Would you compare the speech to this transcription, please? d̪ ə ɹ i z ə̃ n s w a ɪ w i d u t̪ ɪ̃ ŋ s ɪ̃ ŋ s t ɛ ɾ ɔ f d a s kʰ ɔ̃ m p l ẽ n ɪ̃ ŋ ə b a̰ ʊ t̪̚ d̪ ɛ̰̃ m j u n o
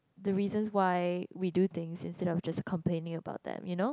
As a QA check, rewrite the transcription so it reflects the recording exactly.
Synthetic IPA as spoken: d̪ ə ɹ i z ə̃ n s w a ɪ w i d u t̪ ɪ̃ ŋ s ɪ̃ n s t ɛ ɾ ɔ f d͡ʒ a s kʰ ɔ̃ m p l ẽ n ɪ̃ ŋ ə b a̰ ʊ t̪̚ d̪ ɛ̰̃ m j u n o